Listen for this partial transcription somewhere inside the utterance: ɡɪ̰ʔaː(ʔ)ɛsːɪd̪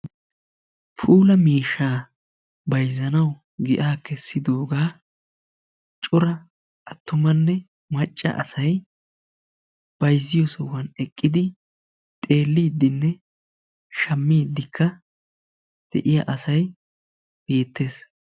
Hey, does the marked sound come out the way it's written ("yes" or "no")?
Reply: no